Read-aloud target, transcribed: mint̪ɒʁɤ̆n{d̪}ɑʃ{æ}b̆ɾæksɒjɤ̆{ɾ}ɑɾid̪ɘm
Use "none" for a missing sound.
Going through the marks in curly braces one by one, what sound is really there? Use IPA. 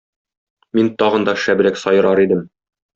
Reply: d̪, æ, ɾ

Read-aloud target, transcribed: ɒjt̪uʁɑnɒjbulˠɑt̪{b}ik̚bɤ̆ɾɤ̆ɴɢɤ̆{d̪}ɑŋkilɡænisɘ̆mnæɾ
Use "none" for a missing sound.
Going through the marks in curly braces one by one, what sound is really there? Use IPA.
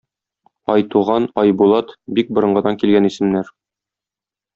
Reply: b, d̪

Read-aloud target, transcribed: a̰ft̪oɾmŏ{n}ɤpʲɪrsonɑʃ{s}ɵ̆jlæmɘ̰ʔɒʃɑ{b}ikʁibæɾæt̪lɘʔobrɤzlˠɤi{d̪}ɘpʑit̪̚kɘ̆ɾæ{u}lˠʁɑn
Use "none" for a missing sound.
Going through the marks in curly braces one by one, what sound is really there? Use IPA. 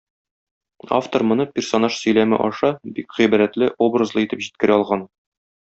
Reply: n, s, b, t̪, ɒ

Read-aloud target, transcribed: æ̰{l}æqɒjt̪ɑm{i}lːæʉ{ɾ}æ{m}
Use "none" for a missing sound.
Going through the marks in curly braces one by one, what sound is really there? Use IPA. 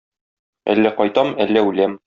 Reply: lː, æ, l, m

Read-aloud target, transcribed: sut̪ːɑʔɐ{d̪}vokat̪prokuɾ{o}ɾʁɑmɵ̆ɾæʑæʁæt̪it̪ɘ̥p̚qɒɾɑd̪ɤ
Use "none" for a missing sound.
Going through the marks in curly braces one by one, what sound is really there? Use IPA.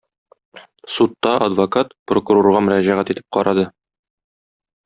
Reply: d̪, o

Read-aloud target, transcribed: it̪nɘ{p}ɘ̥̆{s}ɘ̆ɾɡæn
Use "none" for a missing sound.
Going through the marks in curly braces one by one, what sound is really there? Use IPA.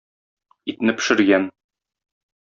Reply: p, ʃ

